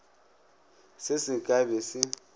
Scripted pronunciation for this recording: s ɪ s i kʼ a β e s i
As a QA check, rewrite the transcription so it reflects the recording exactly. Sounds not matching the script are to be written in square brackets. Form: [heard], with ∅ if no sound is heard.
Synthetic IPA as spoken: s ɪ s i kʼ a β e s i

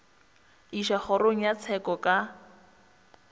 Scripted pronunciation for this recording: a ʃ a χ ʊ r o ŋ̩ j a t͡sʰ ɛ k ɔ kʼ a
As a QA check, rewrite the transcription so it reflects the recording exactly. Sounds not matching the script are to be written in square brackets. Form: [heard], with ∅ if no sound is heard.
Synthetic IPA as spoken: [i] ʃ a χ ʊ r o ŋ̩ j a t͡sʰ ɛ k ɔ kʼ a

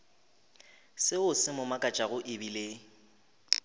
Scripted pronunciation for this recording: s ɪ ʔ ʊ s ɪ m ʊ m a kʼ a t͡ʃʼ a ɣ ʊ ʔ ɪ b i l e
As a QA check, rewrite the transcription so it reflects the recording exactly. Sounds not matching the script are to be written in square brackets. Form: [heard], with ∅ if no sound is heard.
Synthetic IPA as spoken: s ɪ [∅] ʊ s ɪ m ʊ m a kʼ a t͡ʃʼ a ɣ ʊ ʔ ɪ b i l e

